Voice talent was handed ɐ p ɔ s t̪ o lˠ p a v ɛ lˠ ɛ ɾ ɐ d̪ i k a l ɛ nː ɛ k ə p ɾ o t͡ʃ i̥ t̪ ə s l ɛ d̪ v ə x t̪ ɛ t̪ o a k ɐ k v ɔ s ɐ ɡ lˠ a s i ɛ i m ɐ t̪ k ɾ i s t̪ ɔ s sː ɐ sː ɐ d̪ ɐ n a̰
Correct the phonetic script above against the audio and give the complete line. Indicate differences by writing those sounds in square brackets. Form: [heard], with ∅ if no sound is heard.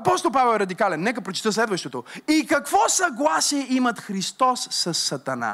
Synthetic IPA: ɐ p ɔ s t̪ o lˠ p a v ɛ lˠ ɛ ɾ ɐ d̪ i k a l ɛ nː ɛ k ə p ɾ o t͡ʃ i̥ t̪ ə s l ɛ d̪ v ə [ʃ] t̪ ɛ t̪ o [i] k ɐ k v ɔ s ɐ ɡ lˠ a s i ɛ i m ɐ t̪ [x] ɾ i s t̪ ɔ s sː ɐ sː ɐ [t̪] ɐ n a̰